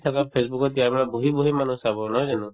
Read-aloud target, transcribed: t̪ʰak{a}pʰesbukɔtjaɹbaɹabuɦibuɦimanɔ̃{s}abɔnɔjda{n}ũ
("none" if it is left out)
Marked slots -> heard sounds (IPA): a, s, n

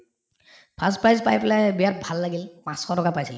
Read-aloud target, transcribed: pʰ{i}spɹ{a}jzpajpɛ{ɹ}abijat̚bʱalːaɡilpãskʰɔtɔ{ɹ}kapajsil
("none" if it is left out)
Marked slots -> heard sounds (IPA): a, a, l, none

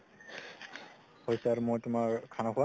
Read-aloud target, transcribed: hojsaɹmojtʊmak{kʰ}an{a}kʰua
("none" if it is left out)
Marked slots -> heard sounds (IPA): kʰ, a

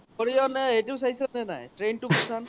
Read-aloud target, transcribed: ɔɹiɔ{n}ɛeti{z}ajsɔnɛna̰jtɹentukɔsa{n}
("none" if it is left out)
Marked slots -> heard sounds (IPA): n, s, n

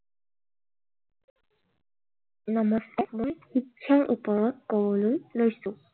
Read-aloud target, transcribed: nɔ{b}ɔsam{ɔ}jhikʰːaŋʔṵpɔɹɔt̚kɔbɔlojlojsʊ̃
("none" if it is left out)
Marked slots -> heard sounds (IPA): m, o

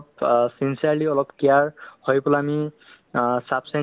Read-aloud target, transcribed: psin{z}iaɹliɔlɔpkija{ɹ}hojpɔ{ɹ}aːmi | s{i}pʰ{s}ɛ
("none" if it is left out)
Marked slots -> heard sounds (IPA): s, ɹ, l, a, s

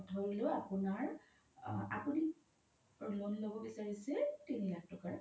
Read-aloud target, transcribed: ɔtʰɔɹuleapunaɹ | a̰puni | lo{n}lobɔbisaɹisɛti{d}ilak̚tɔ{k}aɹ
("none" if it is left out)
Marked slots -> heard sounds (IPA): n, n, k

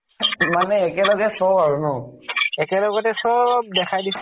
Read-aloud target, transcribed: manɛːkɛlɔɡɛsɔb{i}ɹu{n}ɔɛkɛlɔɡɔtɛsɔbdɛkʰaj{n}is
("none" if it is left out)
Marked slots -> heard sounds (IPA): a, n, d

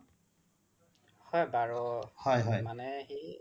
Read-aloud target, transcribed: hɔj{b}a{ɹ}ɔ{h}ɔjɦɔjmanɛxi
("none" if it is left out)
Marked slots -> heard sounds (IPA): b, ɹ, h

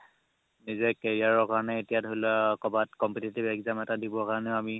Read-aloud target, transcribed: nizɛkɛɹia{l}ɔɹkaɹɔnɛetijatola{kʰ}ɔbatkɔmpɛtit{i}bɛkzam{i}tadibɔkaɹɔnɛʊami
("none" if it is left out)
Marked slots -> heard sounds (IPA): ɹ, k, i, ɛ

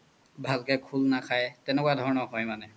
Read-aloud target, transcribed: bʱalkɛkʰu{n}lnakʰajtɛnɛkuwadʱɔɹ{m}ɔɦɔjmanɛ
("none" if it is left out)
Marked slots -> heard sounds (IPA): none, n

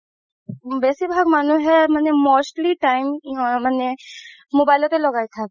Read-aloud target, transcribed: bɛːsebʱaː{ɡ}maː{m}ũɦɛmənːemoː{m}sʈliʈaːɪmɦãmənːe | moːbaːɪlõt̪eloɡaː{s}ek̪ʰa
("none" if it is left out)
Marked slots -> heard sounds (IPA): ɡ, n, none, none

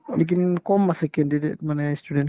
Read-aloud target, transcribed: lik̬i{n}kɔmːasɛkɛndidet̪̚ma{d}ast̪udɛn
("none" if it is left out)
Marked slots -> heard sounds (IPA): n, n

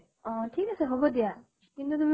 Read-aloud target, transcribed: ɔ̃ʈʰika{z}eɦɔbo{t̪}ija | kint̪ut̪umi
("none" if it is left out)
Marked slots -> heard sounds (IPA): s, d̪

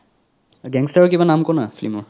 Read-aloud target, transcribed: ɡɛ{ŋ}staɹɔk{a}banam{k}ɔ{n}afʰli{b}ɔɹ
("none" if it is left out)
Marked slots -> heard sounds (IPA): ŋ, i, k, n, m

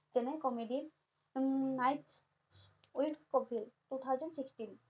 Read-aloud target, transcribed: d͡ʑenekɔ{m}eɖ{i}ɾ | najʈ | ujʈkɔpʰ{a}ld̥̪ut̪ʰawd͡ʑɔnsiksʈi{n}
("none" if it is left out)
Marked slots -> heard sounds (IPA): m, i, i, n

